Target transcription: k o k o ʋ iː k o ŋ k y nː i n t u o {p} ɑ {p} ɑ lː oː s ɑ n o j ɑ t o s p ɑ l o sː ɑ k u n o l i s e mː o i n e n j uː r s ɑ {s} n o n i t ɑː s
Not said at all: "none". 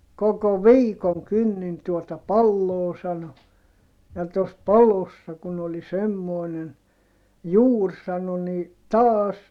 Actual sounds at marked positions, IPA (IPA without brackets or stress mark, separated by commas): t, p, none